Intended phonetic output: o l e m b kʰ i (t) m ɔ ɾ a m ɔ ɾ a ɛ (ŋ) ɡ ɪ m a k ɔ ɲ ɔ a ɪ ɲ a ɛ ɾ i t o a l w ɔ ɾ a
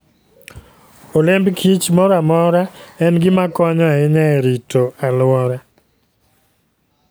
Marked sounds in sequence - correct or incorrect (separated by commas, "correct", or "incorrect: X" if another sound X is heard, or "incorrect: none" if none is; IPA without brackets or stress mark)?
incorrect: t͡ʃ, incorrect: n